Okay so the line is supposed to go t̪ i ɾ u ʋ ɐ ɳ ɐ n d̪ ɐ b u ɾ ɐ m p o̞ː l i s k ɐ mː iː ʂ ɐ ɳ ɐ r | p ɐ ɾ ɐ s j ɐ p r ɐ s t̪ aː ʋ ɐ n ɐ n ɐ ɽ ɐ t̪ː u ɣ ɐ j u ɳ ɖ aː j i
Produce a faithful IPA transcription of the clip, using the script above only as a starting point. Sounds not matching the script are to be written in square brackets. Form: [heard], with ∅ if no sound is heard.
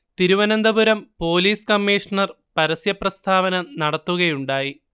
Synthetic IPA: t̪ i ɾ u ʋ ɐ [n] ɐ n d̪ ɐ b u ɾ ɐ m p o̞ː l [iː] s k ɐ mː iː ʂ ɐ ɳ ɐ r | p ɐ ɾ ɐ s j ɐ p r ɐ s [t̪ʰ] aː ʋ ɐ n ɐ n ɐ ɽ ɐ t̪ː u ɣ ɐ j u ɳ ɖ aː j i